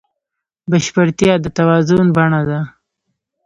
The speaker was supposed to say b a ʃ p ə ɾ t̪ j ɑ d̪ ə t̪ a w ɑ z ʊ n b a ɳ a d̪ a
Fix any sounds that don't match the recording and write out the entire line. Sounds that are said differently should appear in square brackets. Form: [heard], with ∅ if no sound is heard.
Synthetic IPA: b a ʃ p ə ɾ t̪ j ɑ d̪ ə t̪ a w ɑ z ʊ n b a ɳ a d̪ a